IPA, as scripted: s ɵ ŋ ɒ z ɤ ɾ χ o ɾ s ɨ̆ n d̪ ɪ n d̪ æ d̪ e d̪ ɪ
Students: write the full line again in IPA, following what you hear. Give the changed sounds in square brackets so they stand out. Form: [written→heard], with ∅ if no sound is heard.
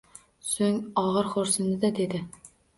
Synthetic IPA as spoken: s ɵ ŋ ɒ [z→ʁ] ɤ ɾ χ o ɾ s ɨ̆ n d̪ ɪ [n→∅] d̪ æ d̪ e d̪ ɪ